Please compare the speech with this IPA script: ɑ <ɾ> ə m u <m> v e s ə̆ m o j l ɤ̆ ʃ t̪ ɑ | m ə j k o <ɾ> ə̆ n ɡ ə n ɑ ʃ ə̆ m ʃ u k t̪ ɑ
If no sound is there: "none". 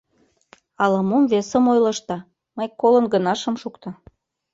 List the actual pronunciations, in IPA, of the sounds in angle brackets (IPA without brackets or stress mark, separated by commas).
l, m, l